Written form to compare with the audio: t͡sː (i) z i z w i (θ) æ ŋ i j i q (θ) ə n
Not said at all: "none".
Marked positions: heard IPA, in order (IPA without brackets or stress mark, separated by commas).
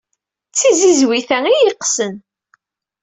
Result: i, θ, s